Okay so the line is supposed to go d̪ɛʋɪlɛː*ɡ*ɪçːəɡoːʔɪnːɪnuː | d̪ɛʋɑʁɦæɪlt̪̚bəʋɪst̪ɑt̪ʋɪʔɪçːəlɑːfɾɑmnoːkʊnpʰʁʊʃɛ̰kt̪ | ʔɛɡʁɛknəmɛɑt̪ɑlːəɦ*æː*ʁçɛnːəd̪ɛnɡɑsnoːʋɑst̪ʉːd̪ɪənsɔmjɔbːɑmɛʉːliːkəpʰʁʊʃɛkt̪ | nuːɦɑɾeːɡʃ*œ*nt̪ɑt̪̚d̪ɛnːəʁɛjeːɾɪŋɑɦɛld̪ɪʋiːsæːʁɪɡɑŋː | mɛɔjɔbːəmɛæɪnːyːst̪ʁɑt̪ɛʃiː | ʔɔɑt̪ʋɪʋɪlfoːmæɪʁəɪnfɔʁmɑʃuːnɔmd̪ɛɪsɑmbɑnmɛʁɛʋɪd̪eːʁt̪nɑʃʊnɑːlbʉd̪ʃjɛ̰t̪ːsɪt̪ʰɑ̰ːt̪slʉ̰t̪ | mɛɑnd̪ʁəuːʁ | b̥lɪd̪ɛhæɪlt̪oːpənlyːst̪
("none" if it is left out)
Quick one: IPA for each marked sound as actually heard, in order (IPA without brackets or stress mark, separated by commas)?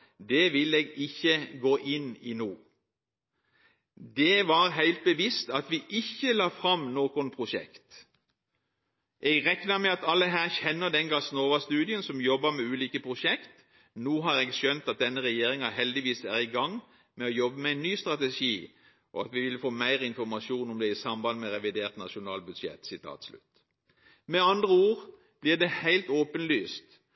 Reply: ɡ, æː, œ